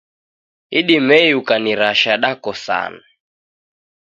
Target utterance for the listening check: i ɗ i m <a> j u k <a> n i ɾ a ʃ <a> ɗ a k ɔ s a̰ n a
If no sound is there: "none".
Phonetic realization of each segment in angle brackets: ɛ, a, a

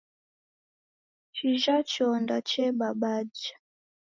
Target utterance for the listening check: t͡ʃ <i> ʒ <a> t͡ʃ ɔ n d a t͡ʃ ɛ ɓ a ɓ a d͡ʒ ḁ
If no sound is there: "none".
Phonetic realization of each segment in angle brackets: i, a

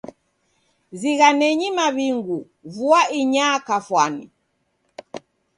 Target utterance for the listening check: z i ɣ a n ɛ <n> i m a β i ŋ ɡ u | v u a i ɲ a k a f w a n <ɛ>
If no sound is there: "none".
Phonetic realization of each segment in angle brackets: ɲ, i

